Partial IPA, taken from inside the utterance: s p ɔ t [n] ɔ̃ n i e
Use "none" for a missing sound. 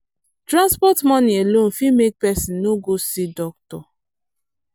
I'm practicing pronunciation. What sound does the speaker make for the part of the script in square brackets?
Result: m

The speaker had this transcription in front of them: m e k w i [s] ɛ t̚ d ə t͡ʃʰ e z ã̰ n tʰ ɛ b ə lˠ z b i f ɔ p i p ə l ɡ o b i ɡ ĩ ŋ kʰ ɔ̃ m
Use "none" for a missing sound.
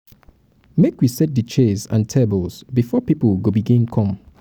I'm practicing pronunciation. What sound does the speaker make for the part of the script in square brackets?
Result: s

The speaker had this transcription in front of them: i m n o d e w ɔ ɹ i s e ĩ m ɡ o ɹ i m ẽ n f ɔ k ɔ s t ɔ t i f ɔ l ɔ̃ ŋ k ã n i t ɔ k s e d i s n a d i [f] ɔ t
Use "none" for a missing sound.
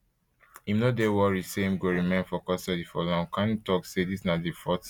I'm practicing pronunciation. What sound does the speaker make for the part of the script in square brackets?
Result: f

